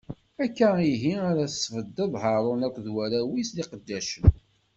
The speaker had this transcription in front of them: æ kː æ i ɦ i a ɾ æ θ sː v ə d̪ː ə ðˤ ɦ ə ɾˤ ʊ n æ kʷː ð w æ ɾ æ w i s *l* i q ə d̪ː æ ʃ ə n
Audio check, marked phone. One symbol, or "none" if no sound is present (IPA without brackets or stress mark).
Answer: l